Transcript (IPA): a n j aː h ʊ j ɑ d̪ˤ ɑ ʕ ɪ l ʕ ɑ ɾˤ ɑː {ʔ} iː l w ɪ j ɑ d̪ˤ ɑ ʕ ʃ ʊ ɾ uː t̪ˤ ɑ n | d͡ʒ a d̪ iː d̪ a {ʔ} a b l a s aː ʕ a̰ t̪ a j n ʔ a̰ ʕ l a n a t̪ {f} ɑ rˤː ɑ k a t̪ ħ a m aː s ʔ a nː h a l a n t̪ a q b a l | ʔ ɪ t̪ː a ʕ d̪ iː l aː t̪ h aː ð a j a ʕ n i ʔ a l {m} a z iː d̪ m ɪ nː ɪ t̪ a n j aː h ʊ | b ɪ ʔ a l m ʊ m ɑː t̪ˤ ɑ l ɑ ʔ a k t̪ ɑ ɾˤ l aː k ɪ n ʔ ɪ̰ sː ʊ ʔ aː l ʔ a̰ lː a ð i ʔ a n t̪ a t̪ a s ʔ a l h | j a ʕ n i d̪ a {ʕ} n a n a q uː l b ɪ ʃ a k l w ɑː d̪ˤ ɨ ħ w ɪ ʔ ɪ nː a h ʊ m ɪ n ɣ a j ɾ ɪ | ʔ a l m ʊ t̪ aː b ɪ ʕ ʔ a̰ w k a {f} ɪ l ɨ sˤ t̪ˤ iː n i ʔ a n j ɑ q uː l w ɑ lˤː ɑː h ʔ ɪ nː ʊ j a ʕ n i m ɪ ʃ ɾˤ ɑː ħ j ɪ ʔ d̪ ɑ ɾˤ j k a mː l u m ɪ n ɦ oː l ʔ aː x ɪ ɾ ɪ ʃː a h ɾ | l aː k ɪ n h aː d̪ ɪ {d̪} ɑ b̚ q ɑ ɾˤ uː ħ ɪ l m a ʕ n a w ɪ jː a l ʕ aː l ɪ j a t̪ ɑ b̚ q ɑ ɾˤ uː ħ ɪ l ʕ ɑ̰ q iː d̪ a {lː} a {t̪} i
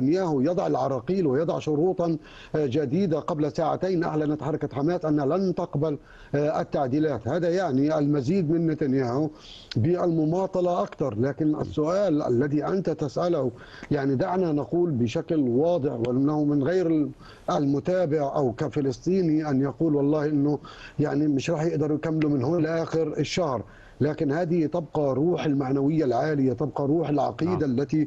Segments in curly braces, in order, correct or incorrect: incorrect: q, incorrect: q, incorrect: ħ, correct, correct, correct, incorrect: t̪, correct, correct

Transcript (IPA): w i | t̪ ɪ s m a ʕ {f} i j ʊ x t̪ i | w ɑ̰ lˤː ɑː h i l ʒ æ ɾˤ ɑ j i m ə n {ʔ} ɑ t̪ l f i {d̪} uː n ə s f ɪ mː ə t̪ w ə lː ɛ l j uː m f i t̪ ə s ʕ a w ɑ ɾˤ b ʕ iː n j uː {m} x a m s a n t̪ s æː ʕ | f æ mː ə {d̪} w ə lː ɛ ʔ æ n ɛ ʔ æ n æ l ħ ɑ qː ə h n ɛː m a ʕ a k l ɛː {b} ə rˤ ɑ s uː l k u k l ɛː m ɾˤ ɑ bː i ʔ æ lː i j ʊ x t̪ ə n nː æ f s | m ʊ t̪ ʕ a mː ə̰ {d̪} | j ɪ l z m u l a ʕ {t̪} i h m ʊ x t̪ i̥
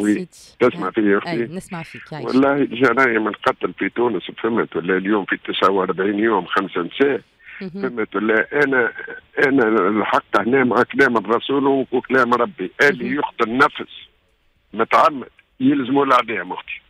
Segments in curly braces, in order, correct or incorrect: correct, incorrect: q, incorrect: t̪, correct, incorrect: t̪, incorrect: m, correct, incorrect: d̪

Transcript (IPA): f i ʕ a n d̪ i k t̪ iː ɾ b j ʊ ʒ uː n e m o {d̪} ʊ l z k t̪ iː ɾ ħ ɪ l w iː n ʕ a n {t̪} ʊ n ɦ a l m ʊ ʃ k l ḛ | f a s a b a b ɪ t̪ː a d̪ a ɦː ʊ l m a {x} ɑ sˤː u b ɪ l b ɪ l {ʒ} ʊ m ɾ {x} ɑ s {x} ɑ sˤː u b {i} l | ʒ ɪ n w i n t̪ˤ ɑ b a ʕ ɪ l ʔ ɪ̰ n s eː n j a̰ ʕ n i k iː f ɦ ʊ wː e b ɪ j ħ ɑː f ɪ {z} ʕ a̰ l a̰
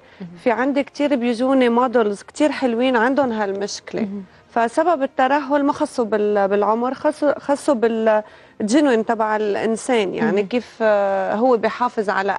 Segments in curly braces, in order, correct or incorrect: correct, incorrect: d̪, correct, incorrect: ʕ, correct, correct, incorrect: ɪ, correct

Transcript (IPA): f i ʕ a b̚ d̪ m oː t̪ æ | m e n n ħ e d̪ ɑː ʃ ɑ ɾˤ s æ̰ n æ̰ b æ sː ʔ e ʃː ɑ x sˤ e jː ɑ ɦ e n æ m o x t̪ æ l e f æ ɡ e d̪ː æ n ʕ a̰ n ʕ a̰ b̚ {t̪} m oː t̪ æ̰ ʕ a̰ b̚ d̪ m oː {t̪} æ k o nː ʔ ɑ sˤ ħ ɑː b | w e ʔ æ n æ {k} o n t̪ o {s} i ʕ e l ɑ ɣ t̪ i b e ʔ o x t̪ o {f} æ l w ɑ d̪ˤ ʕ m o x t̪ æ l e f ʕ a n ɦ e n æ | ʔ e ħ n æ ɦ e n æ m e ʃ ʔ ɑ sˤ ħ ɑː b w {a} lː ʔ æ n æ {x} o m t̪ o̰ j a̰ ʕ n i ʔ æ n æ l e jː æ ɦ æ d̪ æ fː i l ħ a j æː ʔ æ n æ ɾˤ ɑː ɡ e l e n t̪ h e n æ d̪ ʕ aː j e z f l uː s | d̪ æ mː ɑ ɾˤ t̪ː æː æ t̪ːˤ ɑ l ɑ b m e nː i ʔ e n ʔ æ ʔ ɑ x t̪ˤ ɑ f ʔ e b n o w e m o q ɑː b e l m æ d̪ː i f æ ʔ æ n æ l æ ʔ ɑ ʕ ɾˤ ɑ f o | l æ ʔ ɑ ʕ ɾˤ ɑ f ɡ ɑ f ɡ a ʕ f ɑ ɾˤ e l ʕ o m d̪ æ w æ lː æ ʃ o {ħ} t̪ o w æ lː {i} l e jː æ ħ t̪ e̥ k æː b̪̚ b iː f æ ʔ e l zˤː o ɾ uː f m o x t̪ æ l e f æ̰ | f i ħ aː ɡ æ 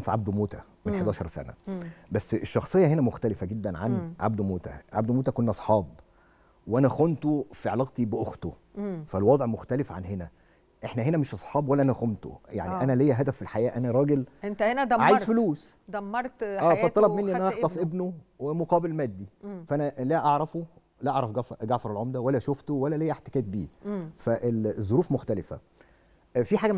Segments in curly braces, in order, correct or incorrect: incorrect: d̪, correct, incorrect: x, incorrect: f, correct, incorrect: æ, correct, incorrect: f, incorrect: æ

